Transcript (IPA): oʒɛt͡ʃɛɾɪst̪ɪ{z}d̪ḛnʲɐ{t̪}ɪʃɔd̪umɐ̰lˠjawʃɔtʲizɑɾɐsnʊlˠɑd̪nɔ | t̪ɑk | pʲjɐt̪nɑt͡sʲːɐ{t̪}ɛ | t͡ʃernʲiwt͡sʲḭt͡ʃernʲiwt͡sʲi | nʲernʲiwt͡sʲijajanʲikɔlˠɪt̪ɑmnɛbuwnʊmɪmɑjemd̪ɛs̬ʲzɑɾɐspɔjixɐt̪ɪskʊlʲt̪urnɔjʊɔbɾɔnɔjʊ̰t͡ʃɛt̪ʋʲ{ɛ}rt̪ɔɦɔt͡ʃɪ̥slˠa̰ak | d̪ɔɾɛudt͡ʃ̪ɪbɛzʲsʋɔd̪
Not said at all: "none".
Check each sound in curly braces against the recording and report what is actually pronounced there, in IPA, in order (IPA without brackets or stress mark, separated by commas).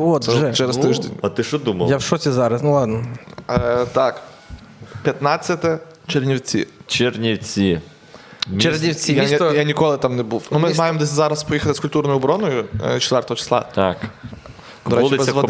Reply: ʒ, t̪, t̪, ɛ